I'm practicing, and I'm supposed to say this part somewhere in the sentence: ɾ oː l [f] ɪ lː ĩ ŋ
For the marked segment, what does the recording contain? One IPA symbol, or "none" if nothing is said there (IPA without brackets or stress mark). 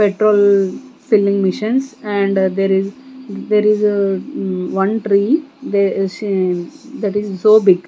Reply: f